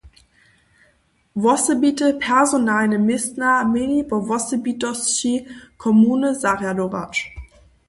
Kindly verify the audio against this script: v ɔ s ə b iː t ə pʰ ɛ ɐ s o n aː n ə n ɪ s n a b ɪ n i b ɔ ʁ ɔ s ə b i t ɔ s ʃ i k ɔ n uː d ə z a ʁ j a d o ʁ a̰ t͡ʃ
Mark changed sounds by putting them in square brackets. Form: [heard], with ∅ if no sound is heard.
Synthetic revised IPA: v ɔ s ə b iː t ə pʰ ɛ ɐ [z] o n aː n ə [m] ɪ s n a [m] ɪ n i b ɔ [v] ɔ s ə b i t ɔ s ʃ i [kʰ] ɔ [m] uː [n] ə z a ʁ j a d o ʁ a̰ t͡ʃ